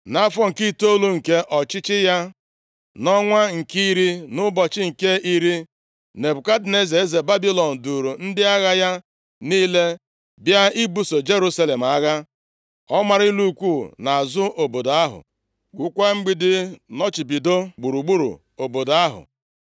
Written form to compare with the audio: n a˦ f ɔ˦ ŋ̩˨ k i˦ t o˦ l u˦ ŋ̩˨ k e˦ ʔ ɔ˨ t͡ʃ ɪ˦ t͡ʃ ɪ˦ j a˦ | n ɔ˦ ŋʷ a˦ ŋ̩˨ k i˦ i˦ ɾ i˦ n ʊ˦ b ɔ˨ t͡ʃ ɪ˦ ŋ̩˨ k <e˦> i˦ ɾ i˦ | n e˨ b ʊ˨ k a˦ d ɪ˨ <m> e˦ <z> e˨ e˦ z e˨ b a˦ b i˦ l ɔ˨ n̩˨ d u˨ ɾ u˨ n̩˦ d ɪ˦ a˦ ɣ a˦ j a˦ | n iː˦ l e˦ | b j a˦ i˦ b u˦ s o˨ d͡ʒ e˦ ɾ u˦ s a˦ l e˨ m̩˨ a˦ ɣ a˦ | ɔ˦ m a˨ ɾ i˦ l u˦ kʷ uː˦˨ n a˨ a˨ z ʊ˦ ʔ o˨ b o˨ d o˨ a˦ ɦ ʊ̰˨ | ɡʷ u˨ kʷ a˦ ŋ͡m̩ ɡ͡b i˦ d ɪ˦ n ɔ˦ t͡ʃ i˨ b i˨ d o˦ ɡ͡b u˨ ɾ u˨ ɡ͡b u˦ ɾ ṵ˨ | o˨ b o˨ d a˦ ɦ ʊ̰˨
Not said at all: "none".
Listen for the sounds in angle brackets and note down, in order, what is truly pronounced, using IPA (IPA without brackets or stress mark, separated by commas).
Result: e˦, n, z